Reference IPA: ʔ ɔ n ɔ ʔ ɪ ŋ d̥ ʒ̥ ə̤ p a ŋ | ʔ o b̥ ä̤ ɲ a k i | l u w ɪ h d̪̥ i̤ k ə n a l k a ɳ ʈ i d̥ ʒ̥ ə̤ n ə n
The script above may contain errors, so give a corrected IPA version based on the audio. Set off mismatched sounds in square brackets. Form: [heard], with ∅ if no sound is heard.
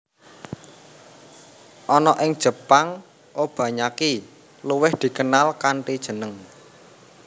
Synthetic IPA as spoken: ʔ ɔ n ɔ ʔ ɪ ŋ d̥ ʒ̥ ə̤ p a ŋ | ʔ o b̥ ä̤ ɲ a k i | l u w ɪ h d̪̥ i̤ k ə n a l k a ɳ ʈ i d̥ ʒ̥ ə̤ n ə [ŋ]